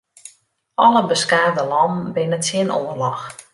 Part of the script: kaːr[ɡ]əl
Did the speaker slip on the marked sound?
yes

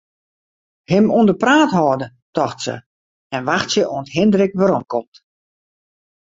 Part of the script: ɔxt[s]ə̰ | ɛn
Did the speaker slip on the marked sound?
no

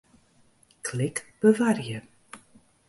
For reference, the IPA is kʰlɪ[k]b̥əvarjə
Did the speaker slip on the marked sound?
no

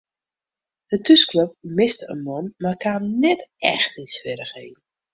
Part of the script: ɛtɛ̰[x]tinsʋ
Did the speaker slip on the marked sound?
no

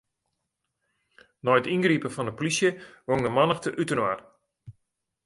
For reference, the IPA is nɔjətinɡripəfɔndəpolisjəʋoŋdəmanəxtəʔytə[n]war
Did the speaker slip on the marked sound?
no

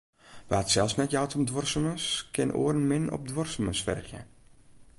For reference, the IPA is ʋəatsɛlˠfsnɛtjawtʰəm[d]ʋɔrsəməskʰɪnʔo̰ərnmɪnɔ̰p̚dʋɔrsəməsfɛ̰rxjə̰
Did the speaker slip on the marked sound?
no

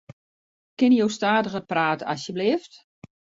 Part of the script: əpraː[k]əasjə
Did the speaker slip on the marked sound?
yes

